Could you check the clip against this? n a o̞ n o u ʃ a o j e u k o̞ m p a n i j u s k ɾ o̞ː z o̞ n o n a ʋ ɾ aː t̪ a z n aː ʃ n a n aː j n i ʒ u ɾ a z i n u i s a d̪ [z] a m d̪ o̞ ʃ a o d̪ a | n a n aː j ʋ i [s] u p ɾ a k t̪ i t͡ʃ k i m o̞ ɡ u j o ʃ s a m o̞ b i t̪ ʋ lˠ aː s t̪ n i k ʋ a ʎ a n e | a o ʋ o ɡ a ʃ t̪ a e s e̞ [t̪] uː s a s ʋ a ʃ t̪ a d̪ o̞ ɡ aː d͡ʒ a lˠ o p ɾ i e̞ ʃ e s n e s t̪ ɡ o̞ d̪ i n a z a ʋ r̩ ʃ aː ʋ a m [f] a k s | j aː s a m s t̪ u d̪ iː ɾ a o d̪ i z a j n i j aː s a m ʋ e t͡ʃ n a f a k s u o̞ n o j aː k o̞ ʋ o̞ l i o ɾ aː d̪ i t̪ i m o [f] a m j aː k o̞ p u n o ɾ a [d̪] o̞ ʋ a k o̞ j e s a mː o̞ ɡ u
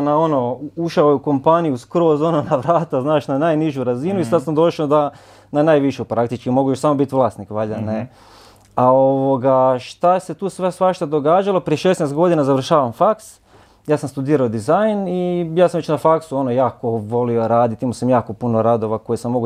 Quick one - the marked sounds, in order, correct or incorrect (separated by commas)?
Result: incorrect, incorrect, correct, correct, incorrect, correct